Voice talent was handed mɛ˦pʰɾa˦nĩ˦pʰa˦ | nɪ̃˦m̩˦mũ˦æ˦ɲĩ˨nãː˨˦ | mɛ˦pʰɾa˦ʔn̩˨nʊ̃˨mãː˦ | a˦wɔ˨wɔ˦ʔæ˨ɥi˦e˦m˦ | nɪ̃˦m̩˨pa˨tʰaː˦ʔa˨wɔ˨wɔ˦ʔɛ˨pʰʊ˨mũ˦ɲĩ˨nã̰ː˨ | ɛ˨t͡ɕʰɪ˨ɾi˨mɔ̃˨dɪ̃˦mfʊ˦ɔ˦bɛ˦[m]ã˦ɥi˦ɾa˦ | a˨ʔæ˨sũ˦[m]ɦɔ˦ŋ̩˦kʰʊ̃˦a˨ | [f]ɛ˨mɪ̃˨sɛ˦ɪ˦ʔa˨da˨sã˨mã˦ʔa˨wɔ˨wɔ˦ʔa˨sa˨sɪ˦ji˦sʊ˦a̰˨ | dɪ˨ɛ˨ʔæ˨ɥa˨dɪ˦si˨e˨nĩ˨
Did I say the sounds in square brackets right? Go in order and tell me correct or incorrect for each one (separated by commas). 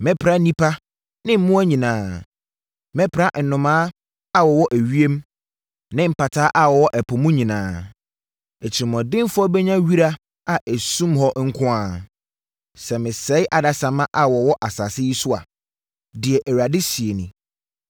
incorrect, correct, incorrect